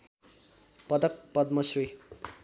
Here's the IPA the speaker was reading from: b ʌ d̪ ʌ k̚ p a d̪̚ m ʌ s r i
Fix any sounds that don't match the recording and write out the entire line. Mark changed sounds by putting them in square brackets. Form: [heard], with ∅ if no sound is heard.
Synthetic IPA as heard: [p] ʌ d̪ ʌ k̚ p [ʌ] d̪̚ m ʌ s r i